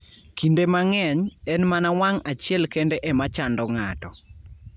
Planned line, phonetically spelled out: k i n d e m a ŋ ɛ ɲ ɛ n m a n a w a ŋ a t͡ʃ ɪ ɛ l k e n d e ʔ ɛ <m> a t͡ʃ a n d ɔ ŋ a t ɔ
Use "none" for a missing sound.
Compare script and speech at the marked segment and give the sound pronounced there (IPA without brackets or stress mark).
m